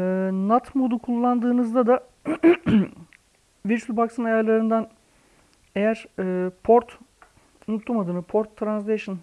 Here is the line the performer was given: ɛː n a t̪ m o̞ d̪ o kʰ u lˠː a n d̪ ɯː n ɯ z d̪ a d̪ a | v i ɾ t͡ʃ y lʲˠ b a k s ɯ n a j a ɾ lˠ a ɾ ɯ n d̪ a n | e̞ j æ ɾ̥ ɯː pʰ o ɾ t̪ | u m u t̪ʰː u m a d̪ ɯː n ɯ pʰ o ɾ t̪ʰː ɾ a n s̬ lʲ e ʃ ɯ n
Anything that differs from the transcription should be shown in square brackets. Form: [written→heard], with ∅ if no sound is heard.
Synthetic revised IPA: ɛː n a t̪ m o̞ d̪ [o→u] kʰ u lˠː a n d̪ ɯː n ɯ z d̪ a d̪ a | v i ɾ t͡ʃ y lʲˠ b a k s ɯ n a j a ɾ lˠ a ɾ ɯ n d̪ a n | e̞ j æ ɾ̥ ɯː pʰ o ɾ t̪ | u [m→n] u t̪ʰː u m a d̪ ɯː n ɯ pʰ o ɾ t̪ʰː ɾ a n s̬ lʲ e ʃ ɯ n